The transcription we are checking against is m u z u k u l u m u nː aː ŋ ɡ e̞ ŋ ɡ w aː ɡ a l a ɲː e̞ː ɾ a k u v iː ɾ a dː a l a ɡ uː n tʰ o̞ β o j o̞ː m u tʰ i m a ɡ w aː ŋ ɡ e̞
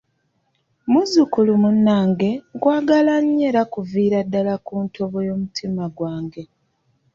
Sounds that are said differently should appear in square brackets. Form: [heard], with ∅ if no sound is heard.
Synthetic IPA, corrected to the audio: m u z u k u l u m u nː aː ŋ ɡ e̞ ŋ ɡ w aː ɡ a l a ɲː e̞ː ɾ a k u v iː ɾ a dː a l a [k] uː n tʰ o̞ β o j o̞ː m u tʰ i m a ɡ w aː ŋ ɡ e̞